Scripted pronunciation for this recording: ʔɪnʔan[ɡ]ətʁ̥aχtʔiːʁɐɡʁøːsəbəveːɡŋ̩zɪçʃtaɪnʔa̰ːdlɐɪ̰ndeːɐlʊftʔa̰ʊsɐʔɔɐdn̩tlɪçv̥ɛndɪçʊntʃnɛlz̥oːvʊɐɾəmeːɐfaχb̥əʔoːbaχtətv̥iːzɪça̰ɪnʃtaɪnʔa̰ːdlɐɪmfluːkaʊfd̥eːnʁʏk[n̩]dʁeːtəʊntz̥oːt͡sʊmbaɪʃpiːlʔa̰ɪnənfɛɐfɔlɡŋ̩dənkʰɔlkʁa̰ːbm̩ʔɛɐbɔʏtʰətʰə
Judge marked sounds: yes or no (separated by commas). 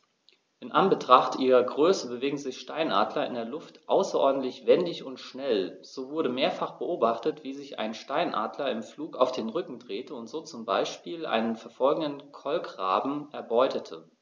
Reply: no, no